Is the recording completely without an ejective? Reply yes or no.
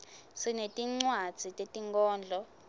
no